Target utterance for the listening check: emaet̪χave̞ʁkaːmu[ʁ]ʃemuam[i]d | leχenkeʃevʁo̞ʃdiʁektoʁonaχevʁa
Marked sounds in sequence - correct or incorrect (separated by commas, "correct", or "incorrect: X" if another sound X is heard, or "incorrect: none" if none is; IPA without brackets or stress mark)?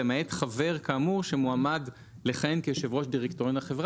correct, incorrect: a